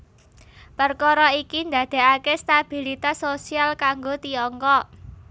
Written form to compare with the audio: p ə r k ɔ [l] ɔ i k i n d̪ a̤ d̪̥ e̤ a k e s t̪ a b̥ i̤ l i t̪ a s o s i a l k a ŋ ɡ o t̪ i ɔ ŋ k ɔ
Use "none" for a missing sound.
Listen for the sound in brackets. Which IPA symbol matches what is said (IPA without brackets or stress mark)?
ɾ